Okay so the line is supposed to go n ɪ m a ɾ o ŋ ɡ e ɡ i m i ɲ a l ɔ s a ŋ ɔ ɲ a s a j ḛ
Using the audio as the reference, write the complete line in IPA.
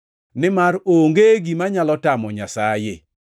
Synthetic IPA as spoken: n ɪ m a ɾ o ŋ ɡ e ɡ i m a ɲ a l ɔ t a m ɔ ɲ a s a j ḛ